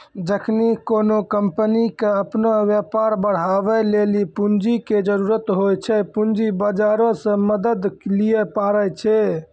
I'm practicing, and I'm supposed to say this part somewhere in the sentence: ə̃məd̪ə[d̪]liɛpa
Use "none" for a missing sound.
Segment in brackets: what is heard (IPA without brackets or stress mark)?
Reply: d̪